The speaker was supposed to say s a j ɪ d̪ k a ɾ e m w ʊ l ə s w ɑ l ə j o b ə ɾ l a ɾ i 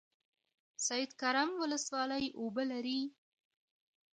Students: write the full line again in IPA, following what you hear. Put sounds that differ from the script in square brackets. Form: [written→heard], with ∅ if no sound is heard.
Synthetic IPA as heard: s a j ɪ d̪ k a ɾ [e→a] m w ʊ l ə s w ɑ l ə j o b ə [ɾ→∅] l a ɾ i